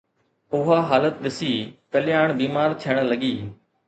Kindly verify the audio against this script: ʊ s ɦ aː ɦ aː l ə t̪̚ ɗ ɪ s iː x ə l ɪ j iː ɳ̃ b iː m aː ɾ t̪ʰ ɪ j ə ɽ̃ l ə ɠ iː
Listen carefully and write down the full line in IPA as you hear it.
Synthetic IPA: ʊ ɦ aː ɦ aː l ə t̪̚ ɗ ɪ s iː k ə l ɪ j aː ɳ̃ b iː m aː ɾ t̪ʰ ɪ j ə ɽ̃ l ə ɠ iː